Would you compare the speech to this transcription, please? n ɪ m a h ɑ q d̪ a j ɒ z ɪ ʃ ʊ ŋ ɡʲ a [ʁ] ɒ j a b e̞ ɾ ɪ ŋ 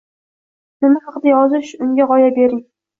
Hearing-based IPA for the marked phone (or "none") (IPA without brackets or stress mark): ʁ